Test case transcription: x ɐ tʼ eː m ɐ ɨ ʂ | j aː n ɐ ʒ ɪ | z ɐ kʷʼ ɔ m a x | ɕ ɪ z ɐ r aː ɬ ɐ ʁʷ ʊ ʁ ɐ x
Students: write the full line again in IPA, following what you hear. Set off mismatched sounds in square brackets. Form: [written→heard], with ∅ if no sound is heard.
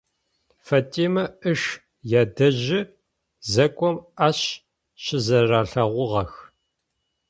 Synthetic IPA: [x→f] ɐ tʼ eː m ɐ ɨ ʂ | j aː [n→d] ɐ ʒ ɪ | z ɐ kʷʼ ɔ m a [x→ɕ] | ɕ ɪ z ɐ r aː ɬ ɐ ʁʷ ʊ ʁ ɐ x